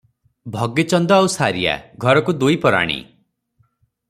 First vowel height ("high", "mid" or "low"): mid